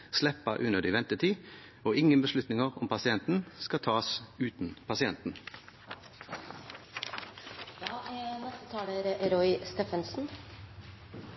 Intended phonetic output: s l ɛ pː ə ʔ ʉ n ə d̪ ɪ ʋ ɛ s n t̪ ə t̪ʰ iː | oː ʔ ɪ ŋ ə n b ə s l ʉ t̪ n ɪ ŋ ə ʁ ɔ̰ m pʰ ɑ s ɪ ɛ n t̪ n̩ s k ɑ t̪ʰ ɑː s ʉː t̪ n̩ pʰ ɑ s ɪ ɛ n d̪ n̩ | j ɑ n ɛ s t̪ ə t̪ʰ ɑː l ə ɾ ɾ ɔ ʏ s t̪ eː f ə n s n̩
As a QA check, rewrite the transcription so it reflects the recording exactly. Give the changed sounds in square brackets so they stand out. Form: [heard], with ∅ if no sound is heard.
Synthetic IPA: s l ɛ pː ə ʔ ʉ n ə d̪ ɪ ʋ ɛ [∅] n t̪ ə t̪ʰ iː | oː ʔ ɪ ŋ ə n b ə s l ʉ t̪ n ɪ ŋ ə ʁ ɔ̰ m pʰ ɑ s ɪ ɛ n t̪ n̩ s k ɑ t̪ʰ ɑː s ʉː t̪ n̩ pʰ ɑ s ɪ ɛ n [t̪] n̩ | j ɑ n ɛ s t̪ ə t̪ʰ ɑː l ə ɾ ɾ ɔ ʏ s t̪ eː f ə n s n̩